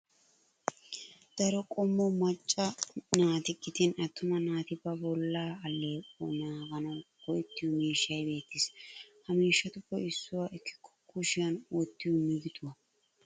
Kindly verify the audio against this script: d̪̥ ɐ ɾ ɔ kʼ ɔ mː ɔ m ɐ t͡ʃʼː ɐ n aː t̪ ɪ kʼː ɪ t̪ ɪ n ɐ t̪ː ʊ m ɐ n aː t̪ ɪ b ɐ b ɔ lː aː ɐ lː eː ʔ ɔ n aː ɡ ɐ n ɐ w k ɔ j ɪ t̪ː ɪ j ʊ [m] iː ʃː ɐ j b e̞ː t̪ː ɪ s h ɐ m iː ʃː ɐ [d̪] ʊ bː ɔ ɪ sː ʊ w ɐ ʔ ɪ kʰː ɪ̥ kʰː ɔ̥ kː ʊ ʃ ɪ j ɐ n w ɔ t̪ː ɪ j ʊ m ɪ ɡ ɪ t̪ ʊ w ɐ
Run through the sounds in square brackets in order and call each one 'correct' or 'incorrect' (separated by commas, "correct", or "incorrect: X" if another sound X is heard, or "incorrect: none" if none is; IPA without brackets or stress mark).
correct, incorrect: t̪